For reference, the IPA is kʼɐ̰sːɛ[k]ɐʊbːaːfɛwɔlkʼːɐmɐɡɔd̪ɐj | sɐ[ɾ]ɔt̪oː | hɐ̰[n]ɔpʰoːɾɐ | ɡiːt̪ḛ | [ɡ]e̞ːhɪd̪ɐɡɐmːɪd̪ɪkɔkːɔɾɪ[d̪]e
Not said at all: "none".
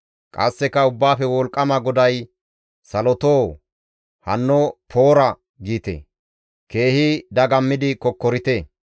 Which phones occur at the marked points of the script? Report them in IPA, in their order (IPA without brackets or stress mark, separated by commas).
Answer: k, l, nː, k, t̪